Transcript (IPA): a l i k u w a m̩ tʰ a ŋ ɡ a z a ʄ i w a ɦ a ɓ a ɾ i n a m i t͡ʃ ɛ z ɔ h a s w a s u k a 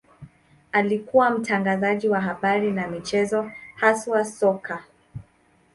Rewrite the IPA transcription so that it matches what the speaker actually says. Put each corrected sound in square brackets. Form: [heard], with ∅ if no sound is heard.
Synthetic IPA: a l i k u w a m̩ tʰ a ŋ ɡ a z a ʄ i w a ɦ a ɓ a ɾ i n a m i t͡ʃ ɛ z ɔ h a s w a s [ɔ] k a